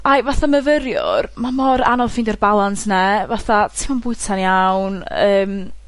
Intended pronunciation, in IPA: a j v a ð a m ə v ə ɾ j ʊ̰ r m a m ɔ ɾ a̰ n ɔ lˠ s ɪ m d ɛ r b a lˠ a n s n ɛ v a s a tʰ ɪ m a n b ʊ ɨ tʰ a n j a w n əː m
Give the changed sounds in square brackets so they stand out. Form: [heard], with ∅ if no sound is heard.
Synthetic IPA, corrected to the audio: a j v a [θ] a m ə v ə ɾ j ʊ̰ r m a m ɔ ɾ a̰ n ɔ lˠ [f] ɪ [n] d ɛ r b a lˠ a n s n ɛ v a [θ] a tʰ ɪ m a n b ʊ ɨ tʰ a n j a w n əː m